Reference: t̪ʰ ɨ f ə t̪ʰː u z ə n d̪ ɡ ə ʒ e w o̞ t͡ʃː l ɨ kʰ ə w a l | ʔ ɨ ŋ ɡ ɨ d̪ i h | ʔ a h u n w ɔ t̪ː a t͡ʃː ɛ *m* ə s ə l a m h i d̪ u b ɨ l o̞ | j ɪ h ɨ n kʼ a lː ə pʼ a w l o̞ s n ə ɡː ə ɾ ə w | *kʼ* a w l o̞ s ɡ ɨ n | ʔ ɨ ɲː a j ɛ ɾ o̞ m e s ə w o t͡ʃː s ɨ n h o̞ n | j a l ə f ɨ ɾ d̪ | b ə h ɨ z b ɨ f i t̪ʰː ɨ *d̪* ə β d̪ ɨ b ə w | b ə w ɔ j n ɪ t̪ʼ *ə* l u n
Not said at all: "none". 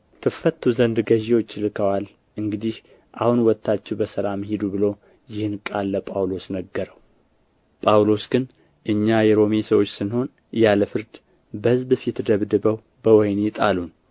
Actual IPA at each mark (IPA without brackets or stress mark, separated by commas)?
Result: b, pʼ, d̪, a